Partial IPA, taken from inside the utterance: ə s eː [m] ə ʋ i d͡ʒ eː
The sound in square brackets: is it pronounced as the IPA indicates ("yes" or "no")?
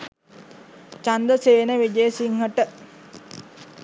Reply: no